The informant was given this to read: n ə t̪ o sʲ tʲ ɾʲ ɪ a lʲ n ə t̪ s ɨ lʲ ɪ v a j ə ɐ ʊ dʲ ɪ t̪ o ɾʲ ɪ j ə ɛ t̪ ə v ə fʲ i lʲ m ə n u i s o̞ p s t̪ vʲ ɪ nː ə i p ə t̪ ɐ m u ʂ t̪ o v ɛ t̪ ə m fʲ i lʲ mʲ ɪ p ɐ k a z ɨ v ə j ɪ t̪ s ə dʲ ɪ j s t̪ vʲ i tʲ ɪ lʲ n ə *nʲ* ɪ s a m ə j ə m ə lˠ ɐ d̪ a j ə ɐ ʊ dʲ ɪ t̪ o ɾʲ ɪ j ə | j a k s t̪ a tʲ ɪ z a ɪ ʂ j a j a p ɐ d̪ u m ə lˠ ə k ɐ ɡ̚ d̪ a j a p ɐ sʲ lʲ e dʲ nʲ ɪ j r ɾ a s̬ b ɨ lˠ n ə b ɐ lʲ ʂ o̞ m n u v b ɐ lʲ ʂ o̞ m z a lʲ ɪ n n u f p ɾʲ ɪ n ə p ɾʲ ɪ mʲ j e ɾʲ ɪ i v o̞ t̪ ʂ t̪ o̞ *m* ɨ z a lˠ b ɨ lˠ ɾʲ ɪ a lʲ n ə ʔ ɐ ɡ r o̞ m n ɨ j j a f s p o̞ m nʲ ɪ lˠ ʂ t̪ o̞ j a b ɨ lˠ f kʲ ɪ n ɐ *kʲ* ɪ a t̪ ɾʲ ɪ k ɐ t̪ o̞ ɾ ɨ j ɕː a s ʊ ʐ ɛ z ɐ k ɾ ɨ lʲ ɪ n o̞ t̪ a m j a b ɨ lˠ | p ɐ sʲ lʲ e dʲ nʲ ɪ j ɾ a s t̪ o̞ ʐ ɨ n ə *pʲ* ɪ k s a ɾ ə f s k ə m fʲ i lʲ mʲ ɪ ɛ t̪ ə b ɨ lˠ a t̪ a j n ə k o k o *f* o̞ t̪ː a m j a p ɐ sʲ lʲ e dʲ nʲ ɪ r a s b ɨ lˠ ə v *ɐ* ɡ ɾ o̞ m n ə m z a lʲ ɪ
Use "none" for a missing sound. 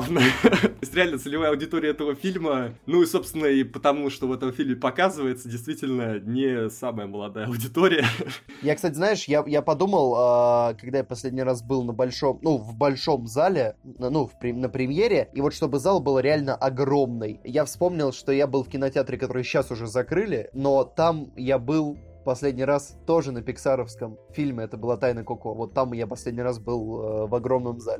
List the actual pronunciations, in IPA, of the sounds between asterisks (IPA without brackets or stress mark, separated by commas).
nʲ, b, tʲ, pʲ, v, ɐ